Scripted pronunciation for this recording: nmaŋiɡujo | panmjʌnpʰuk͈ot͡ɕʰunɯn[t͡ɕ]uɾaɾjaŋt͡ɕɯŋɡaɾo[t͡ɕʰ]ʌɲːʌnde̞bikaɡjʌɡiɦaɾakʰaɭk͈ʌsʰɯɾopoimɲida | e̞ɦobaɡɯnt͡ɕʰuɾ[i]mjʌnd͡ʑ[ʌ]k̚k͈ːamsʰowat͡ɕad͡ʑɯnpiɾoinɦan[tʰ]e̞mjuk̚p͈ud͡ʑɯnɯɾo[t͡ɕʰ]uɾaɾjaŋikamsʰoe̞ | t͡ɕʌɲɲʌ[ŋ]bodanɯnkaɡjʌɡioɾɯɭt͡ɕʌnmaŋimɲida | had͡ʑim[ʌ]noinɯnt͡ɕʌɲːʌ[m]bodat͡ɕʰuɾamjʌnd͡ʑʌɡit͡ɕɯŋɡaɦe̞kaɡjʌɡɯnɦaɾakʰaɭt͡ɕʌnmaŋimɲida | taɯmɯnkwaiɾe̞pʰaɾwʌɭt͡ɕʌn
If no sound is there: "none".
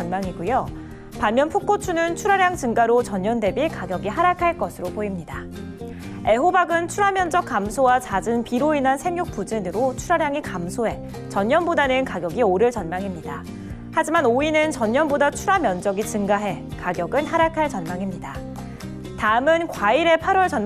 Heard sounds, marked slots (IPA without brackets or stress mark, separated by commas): t͡ɕʰ, t͡ɕ, a, ʌ, sʰ, t͡ɕʰ, n, a, n